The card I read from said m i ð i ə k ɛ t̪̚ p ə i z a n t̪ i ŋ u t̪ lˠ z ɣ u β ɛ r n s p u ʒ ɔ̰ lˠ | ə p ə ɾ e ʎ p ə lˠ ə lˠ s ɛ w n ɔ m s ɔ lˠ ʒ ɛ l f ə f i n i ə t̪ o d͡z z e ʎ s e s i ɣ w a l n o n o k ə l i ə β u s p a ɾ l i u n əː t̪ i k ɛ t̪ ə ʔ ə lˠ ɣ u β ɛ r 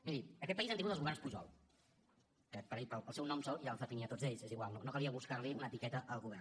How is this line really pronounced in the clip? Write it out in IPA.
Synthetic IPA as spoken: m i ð i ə k ɛ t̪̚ p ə i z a n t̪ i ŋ u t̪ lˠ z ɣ u β ɛ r n s p u ʒ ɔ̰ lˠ | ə p ə ɾ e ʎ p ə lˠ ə lˠ s ɛ w n ɔ m s ɔ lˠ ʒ a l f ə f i n i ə t̪ o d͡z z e ʎ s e z i ɣ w a l n o n o k ə l i ə β u s k a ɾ l i u n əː t̪ i k ɛ t̪ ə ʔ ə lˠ ɣ u β ɛ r

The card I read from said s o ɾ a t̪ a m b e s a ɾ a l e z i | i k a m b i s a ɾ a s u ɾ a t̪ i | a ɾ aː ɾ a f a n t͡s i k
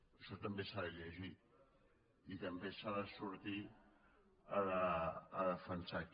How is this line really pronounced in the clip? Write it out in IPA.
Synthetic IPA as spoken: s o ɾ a t̪ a m b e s a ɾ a l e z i | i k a m b e s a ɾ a s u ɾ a t̪ i | a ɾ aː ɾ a f a n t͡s a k

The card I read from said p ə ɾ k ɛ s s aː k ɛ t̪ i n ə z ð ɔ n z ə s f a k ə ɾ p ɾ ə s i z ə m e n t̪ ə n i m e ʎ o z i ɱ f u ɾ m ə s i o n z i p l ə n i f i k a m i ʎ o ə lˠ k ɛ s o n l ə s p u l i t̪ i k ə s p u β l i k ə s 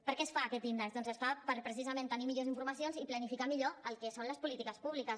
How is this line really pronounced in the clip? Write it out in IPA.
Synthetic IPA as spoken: p ə ɾ k ɛ s f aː k ɛ t̪ i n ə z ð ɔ n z ə s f a p ə ɾ p ɾ ə s i z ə m e n t̪ ə n i m i ʎ o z i ɱ f u ɾ m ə s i o n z i p l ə n i f i k a m i ʎ o ə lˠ k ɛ s o n l ə s p u l i t̪ i k ə s p u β l i k ə s

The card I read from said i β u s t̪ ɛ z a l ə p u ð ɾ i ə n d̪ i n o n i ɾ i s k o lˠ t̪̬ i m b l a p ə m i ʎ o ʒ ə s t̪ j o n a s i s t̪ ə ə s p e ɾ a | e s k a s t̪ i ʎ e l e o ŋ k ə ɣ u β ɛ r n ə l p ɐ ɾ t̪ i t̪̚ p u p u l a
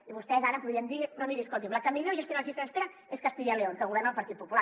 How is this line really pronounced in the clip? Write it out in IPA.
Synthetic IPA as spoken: i β u s t̪ ɛ z a ɾ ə p u ð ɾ i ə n d̪ i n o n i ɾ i s k o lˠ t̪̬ i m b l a k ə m i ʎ o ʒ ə s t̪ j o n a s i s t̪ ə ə s p e ɾ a | e s k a s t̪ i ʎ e l e o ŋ k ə ɣ u β ɛ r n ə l p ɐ ɾ t̪ i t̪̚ p u p u l a

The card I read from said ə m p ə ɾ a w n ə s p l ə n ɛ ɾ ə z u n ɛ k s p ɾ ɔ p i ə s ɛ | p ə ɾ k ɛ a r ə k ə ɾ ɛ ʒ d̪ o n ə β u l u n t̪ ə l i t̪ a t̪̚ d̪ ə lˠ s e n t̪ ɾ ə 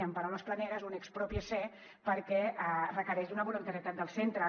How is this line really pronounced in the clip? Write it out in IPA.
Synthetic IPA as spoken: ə m p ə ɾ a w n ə s p l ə n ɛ ɾ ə z u n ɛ k s p ɾ ɔ p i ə s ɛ | p ə ɾ k ɛ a r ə k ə ɾ ɛ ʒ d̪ u n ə β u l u n t̪ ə ɾ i t̪ a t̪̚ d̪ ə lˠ s e n t̪ ɾ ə

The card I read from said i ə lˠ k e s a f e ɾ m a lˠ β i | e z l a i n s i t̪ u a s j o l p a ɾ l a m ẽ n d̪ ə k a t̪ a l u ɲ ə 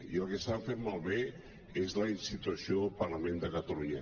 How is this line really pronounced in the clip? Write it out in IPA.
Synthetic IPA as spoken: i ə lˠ k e s a f e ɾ m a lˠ β e | e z l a i n s i t̪ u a s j o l p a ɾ l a m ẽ n d̪ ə k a t̪ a l u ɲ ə

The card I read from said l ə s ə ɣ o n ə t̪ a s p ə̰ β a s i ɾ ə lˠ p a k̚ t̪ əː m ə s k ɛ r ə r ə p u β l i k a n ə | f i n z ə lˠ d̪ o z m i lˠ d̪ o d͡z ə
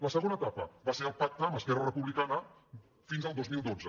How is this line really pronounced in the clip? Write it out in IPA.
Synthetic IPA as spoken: l ə s ə ɣ o n ə t̪ a p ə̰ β a s e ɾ ə lˠ p a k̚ t̪ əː m ə s k ɛ r ə r ə p u β l i k a n ə | f i n z ə lˠ d̪ o z m i lˠ d̪ o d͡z ə

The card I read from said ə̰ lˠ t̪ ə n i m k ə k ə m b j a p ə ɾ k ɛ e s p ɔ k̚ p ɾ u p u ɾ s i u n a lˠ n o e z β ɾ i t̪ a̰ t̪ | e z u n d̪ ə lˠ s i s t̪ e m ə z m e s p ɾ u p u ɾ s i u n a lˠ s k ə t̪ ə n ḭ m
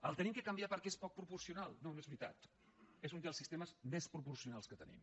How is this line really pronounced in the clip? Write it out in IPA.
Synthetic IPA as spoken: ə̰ lˠ t̪ ə n i m k ə k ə m b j a p ə ɾ k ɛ e s p ɔ k̚ p ɾ u p u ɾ s i u n a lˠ n o e z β ɾ i t̪ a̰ t̪ | e z u n d̪ ə lˠ s i s t̪ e m ə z m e s p ɾ u p u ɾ s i u n a lˠ s k ə t̪ ə n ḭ m

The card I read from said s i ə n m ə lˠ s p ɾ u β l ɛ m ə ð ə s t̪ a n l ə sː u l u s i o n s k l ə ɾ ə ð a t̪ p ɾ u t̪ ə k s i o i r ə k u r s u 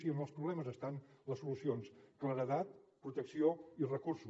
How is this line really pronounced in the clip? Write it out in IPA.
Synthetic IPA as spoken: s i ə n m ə lˠ s p ɾ u β l ɛ m ə z ə s t̪ a n l ə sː u l u s i o n s k l ə ɾ ə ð a t̪ p ɾ u t̪ ə k s i o i r ə k u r s u

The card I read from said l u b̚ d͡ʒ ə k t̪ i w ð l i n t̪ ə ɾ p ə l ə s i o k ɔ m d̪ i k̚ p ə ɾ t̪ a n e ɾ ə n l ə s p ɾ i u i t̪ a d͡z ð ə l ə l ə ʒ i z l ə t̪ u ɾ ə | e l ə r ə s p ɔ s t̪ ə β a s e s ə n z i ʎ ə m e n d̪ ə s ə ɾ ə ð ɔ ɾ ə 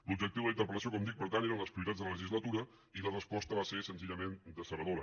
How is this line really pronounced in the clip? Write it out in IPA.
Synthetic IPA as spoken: l u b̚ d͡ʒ ə k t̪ i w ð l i n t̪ ə ɾ p ə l ə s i o k ɔ m d̪ i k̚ p ə ɾ t̪ a n e ɾ ə n l ə s p ɾ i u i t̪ a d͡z ð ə l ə l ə ʒ i z l ə t̪ u ɾ ə | i l ə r ə s p ɔ s t̪ ə β a s e s ə n z i ʎ ə m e n d̪ ə s ə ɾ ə ð o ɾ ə

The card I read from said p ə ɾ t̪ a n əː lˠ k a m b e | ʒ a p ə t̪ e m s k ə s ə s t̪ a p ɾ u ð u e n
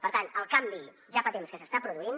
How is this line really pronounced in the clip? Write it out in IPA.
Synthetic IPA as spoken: p ə ɾ t̪ a n ə lˠ k a m b i | ʒ a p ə t̪ e m s k ə s ə s t̪ a p ɾ u ð u i n

